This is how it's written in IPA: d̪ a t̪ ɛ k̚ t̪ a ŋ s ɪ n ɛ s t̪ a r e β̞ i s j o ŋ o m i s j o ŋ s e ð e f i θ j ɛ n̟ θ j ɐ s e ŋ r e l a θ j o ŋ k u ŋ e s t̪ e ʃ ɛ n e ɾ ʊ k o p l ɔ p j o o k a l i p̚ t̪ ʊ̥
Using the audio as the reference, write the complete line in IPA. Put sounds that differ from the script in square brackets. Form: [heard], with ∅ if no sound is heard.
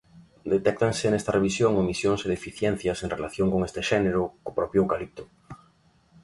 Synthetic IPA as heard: d̪ [e] t̪ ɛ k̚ t̪ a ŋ s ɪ n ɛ s t̪ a r e β̞ i s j o ŋ o m i s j o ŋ s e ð e f i θ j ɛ n̟ θ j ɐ s e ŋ r e l a θ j o ŋ k [o] ŋ e s t̪ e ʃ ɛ n e ɾ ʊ k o p [ɾ] ɔ p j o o k a l i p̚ t̪ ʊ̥